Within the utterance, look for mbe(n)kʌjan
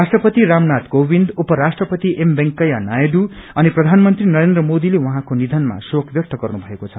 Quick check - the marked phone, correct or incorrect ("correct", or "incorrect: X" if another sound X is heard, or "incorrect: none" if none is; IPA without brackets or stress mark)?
incorrect: ŋ